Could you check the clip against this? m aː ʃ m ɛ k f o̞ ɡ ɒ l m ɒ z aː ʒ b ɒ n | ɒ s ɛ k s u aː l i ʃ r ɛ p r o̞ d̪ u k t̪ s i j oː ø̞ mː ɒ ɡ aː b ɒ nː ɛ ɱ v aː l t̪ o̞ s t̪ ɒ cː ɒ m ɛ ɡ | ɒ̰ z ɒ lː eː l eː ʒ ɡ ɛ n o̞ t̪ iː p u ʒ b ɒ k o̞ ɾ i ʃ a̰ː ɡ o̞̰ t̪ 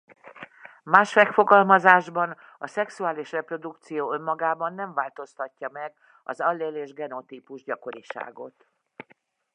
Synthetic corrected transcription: m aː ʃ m ɛ k f o̞ ɡ ɒ l m ɒ z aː ʒ b ɒ n | ɒ s ɛ k s u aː l i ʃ r ɛ p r o̞ d̪ u k t̪ s i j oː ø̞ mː ɒ ɡ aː b ɒ nː ɛ ɱ v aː l t̪ o̞ s t̪ ɒ cː ɒ m ɛ ɡ | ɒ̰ z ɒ lː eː l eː ʒ ɡ ɛ n o̞ t̪ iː p u ʒ ɟ ɒ k o̞ ɾ i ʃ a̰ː ɡ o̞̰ t̪